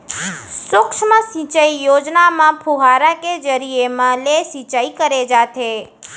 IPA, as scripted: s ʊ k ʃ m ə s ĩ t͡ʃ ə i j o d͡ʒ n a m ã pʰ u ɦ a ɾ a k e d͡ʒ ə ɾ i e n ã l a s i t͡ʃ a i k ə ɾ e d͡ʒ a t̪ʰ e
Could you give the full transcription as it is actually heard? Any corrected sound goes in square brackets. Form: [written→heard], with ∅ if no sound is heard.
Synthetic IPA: s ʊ k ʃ m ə s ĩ t͡ʃ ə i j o d͡ʒ n a m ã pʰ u ɦ a ɾ a k e d͡ʒ ə ɾ i e [n→m] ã l [a→e] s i t͡ʃ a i k ə ɾ e d͡ʒ a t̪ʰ e